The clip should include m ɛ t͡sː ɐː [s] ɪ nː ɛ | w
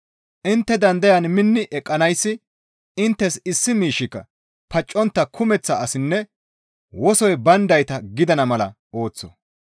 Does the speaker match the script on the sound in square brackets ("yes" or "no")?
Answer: yes